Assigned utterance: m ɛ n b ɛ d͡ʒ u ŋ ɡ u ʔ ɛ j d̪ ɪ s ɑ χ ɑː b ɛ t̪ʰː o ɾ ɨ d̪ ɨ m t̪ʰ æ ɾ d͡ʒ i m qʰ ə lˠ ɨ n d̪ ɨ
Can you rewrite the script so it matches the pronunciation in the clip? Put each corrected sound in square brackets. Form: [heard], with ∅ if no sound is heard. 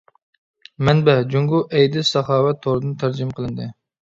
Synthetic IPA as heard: m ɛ n b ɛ d͡ʒ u ŋ ɡ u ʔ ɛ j d̪ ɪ s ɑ χ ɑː [w] ɛ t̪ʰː o ɾ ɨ d̪ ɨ [n] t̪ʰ æ ɾ d͡ʒ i m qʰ ə lˠ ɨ n d̪ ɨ